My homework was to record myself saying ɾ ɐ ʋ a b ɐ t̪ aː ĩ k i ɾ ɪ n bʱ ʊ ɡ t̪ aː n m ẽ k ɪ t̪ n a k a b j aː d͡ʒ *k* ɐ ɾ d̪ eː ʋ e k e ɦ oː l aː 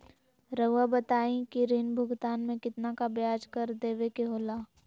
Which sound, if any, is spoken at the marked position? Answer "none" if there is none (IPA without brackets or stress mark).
k